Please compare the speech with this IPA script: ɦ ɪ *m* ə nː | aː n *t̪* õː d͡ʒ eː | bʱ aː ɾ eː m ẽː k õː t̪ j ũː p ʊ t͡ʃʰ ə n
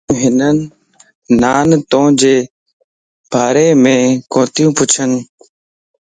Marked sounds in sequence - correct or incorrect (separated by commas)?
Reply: incorrect, correct